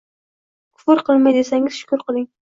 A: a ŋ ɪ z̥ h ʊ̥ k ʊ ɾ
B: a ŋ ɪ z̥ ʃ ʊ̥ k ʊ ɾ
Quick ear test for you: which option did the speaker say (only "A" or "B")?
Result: B